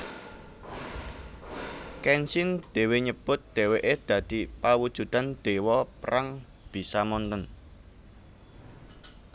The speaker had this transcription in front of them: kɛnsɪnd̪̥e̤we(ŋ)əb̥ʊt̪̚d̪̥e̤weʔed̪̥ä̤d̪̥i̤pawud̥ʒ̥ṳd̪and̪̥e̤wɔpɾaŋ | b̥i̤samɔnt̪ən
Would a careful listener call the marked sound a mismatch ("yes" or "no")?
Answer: yes